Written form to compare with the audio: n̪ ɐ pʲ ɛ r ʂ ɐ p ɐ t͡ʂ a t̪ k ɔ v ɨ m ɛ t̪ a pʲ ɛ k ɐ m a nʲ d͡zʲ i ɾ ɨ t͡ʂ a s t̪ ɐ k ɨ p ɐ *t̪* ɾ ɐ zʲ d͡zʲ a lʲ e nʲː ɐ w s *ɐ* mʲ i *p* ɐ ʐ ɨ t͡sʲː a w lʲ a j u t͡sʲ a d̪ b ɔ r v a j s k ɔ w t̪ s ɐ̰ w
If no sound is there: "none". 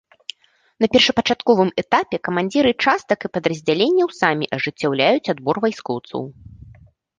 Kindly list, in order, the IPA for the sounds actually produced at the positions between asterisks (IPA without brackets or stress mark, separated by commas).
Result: d̪, a, ʔ